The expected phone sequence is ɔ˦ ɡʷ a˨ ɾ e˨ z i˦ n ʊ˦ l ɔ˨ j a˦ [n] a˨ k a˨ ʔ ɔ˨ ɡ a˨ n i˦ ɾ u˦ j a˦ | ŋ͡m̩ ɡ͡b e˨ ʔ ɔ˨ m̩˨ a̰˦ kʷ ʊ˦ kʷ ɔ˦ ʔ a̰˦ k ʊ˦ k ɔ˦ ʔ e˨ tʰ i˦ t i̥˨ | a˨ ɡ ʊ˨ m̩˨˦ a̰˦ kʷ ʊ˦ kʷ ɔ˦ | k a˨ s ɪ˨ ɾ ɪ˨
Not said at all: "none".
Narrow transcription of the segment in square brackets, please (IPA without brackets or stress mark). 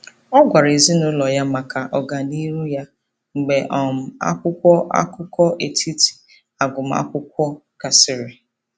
m